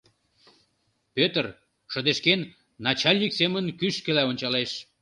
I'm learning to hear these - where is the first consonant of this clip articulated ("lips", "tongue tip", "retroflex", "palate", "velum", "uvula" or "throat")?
lips